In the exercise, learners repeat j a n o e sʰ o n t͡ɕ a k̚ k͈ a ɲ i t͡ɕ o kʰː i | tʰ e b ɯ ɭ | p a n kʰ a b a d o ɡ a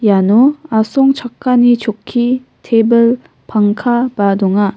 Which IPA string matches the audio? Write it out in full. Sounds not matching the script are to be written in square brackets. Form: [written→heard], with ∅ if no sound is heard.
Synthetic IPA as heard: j a n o [e→a] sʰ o [n→ŋ] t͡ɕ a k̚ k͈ a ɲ i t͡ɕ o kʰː i | tʰ e b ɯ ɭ | p a [n→ŋ] kʰ a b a d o [ɡ→ŋ] a